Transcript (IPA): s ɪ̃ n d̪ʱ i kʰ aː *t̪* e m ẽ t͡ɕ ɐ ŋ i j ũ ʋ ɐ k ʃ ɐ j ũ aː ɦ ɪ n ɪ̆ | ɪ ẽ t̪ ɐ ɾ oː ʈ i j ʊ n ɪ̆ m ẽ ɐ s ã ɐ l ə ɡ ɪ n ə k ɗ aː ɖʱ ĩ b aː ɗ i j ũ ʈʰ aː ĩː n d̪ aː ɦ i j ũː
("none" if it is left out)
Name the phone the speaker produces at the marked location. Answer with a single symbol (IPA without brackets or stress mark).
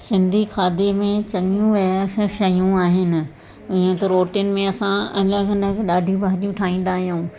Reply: d̪